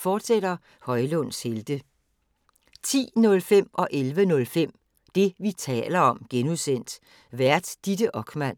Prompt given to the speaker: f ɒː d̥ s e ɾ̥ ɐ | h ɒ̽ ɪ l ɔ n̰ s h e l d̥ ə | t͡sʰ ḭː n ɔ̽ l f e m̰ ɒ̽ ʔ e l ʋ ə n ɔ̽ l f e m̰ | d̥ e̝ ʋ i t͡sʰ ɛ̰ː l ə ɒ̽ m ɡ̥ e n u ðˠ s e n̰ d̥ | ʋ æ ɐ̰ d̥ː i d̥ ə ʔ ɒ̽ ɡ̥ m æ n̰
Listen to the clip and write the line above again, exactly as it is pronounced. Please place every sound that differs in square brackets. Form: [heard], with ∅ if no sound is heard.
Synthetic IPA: f ɒː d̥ s e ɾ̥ ɐ | h ɒ̽ ɪ l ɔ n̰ s h e l d̥ ə | t͡sʰ ḭː n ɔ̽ l f e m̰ ɒ̽ ʔ e l ʋ ə n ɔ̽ l f e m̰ | d̥ e̝ ʋ i t͡sʰ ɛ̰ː l [ɐ] ɒ̽ m ɡ̥ e n u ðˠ s e n̰ d̥ | ʋ æ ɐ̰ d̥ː i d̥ ə ʔ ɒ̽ ɡ̥ m æ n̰